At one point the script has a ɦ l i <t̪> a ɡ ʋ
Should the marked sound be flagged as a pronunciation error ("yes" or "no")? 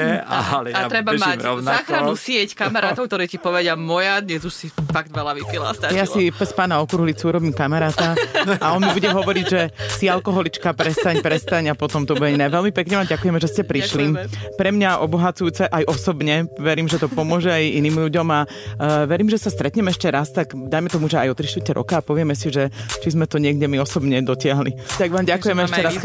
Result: no